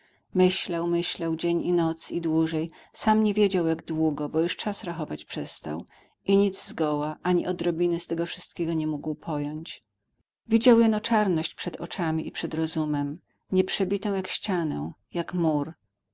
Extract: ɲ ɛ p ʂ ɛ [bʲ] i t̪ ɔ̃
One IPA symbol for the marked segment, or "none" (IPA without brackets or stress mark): bʲ